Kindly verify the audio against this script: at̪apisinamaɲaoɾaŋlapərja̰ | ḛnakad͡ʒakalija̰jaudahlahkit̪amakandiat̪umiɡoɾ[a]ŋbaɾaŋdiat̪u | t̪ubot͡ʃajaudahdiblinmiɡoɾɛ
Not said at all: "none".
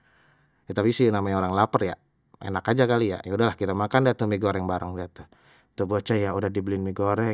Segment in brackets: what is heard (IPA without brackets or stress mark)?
ɛ